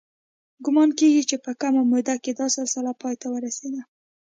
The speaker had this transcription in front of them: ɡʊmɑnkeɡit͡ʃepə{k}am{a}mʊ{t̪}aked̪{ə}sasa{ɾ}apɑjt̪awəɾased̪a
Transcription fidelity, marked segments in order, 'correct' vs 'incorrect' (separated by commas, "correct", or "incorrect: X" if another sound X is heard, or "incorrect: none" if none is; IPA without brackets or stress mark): correct, correct, incorrect: d̪, incorrect: ɑ, incorrect: l